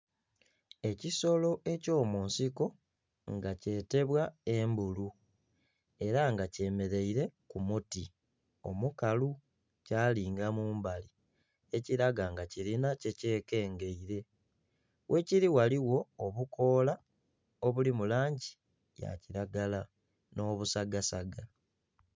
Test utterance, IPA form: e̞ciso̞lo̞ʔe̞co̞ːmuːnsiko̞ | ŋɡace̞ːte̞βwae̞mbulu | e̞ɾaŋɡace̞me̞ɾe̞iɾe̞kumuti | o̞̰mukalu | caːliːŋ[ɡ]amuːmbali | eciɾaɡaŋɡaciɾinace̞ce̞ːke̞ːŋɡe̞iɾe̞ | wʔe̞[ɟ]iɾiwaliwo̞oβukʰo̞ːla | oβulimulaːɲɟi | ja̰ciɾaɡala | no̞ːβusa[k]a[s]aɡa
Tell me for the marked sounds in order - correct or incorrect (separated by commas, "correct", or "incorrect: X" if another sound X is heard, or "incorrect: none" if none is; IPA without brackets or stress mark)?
correct, incorrect: c, incorrect: ɡ, correct